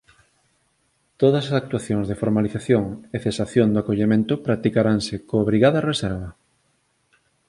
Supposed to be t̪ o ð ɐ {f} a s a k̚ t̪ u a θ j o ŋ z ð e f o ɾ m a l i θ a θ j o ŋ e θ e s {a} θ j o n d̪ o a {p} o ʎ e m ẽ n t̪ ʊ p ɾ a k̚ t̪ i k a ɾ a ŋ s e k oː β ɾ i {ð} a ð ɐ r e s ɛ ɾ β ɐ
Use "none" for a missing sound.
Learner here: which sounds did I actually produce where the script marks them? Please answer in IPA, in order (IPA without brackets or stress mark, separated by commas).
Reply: s, a, k, ɣ